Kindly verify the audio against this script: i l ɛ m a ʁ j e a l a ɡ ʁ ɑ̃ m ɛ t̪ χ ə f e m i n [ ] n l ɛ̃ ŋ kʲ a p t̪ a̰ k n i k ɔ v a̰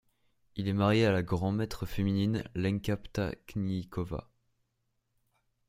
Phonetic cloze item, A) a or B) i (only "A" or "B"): B